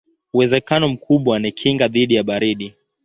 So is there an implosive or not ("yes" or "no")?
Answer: yes